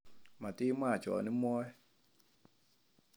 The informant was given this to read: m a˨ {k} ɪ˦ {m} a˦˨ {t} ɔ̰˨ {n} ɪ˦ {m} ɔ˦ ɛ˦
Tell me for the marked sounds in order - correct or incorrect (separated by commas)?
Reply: incorrect, correct, incorrect, correct, correct